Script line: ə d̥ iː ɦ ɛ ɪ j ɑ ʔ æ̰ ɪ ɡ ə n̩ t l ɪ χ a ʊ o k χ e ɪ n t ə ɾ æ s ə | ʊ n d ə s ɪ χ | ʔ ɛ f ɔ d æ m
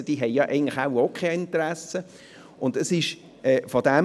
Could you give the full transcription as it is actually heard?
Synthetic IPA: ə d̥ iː ɦ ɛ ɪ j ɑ ʔ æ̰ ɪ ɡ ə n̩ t l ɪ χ a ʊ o k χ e ɪ n t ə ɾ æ s ə | ʊ n d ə s ɪ ʃ | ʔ ɛ f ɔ d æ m

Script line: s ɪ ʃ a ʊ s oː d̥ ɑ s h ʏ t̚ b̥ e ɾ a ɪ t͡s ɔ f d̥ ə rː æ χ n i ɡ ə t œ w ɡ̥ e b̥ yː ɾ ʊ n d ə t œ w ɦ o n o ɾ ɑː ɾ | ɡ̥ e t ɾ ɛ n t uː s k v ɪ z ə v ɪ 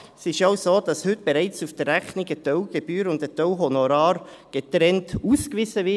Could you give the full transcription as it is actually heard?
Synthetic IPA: s ɪ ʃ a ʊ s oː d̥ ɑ s h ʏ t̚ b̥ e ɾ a ɪ t͡s u f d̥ ə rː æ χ n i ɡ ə t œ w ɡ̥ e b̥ yː ɾ ʊ n d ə t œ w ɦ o n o ɾ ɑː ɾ | ɡ̥ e t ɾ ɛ n t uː s k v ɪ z ə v ɪ

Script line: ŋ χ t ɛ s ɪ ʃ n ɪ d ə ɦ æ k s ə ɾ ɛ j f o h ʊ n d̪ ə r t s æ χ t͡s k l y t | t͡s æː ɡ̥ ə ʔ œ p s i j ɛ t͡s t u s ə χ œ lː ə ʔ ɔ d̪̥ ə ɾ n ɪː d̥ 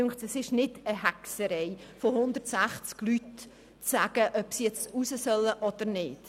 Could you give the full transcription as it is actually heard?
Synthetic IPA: ŋ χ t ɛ s ɪ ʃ n ɪ d ə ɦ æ k s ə ɾ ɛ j f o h ʊ n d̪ ə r t s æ χ t͡s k l y t | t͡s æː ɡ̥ ə ʔ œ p s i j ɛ t͡s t u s ə s œ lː ə ʔ ɔ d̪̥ ə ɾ n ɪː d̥

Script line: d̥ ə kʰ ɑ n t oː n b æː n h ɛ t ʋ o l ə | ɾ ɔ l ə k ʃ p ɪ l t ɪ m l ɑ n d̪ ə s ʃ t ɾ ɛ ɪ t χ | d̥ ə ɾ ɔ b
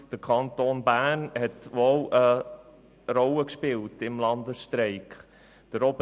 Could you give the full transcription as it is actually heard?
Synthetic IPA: d̥ ə kʰ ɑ n t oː n b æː n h ɛ t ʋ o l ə | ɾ ɔ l ə k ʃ p ɪ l t ɪ m l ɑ n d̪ ə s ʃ t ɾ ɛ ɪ k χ | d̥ ə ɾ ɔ b

